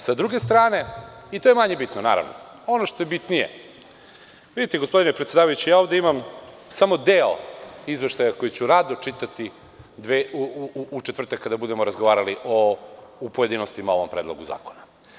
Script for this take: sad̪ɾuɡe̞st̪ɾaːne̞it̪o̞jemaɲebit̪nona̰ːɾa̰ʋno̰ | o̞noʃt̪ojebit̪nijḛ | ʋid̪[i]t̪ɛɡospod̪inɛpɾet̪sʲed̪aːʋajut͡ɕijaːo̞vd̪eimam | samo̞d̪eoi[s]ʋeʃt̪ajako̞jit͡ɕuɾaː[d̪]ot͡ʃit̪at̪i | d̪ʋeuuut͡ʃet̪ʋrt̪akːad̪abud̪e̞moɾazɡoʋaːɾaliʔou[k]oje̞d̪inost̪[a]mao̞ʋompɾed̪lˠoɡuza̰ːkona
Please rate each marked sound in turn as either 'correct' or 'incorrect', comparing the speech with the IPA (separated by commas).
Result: correct, incorrect, correct, incorrect, incorrect